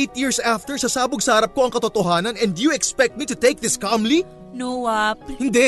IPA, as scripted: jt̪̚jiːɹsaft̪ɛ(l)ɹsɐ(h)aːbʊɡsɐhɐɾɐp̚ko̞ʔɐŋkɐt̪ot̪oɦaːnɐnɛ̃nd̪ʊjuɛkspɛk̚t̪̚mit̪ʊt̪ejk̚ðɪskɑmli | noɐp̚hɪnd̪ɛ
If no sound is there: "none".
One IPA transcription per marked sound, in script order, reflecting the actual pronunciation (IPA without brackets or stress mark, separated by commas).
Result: none, s